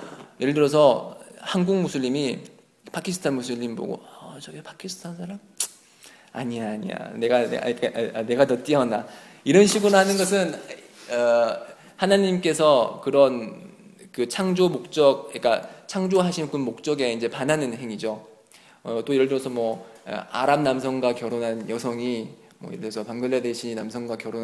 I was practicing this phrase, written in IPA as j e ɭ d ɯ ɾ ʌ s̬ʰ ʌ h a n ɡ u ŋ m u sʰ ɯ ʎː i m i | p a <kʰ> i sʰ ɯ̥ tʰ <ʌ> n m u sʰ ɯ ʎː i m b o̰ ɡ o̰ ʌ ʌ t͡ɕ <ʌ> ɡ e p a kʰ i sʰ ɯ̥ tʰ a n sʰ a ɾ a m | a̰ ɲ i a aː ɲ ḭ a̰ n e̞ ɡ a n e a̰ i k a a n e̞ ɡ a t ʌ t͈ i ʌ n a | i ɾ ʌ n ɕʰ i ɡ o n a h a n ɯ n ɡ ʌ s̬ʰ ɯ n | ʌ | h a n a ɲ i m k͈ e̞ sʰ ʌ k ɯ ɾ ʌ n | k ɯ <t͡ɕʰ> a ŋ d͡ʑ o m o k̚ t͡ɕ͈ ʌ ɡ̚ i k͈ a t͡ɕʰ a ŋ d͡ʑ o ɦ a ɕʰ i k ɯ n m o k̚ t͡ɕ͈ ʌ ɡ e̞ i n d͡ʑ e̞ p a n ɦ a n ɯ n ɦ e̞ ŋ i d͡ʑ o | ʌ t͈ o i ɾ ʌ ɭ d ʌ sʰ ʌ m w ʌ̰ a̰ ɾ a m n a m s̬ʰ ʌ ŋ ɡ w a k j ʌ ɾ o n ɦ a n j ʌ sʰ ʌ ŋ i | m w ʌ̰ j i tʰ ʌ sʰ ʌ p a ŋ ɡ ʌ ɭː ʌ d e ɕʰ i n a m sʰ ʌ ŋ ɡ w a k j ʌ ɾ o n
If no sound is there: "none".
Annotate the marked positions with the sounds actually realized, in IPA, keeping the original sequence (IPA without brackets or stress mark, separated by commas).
kʰ, a, ʌ, t͡ɕʰ